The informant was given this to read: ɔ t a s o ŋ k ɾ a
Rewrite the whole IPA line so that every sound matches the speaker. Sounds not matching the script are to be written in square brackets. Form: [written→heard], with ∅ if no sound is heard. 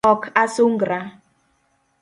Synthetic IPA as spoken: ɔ [t→k] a s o ŋ [k→ɡ] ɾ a